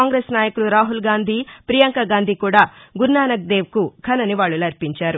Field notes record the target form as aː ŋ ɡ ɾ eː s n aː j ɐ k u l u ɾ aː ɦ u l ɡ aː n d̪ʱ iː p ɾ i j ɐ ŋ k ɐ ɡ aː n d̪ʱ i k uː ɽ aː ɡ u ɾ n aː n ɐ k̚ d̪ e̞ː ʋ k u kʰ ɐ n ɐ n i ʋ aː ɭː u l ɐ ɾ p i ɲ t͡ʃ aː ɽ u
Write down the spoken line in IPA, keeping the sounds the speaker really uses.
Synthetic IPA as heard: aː ŋ ɡ ɾ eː s n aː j ɐ k u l u ɾ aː ɦ u l ɡ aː n d̪ʱ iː p ɾ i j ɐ ŋ k ɐ ɡ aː n d̪ʱ i k uː ɽ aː ɡ u ɾ n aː n ɐ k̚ d̪ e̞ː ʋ k u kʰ ɐ n ɐ n i ʋ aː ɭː u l ɐ ɾ p i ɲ t͡ʃ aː ɾ u